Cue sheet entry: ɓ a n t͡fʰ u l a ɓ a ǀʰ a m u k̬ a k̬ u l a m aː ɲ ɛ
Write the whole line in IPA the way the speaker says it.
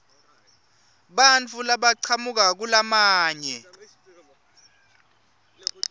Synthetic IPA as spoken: ɓ a n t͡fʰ u l a ɓ a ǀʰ a m u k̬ a k̬ u l a m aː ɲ ɛ